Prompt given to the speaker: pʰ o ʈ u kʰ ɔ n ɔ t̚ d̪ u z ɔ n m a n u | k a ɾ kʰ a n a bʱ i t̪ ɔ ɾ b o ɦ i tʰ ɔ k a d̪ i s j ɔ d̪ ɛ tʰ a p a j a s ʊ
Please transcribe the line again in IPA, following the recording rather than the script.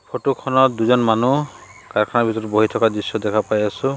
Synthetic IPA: pʰ o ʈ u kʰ ɔ n ɔ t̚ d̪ u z ɔ n m a n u | k a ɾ kʰ a n a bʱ i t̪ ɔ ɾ b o ɦ i tʰ ɔ k a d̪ i s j ɔ d̪ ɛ kʰ a p a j a s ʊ